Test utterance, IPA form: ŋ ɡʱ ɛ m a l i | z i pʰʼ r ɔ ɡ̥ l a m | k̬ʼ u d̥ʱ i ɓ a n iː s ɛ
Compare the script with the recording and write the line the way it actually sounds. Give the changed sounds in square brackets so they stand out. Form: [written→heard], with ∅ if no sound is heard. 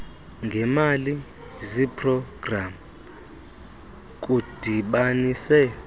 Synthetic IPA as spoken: ŋ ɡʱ ɛ m a l i | z i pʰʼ r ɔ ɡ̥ [l→r] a m | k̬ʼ u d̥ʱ i ɓ a n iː s ɛ